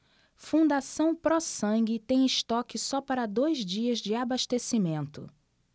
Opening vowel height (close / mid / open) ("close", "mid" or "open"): close